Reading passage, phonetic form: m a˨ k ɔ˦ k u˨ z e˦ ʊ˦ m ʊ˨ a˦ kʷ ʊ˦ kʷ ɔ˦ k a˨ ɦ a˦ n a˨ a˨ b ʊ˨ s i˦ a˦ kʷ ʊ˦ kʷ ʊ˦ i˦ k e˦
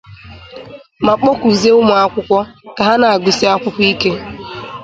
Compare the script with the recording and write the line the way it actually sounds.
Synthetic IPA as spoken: m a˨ k͡p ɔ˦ k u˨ z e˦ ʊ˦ m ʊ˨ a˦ kʷ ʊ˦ kʷ ɔ˦ k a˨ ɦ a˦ n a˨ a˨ ɡ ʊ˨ s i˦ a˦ kʷ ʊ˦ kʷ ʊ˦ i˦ k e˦